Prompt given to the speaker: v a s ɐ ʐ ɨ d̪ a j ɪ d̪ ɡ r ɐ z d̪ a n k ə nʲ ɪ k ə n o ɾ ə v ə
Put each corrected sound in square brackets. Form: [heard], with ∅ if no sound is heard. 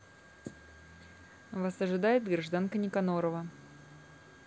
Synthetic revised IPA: v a s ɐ ʐ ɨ d̪ a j ɪ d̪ ɡ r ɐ [ʐ] d̪ a n k ə nʲ ɪ k [ɐ] n o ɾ ə v ə